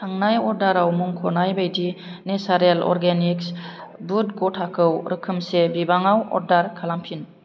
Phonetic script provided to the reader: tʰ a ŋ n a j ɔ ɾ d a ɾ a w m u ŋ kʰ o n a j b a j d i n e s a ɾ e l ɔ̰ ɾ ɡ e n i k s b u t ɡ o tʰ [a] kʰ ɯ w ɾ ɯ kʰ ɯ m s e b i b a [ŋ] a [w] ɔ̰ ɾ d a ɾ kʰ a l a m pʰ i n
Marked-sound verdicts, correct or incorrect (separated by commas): correct, correct, correct